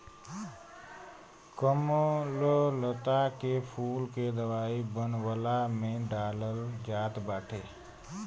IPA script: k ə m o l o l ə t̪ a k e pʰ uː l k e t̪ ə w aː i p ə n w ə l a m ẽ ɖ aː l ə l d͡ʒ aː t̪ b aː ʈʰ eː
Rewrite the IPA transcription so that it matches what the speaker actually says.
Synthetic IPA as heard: k ə m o l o l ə t̪ a k e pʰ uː l k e d̪ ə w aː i b ə n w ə l a m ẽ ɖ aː l ə l d͡ʒ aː t̪ b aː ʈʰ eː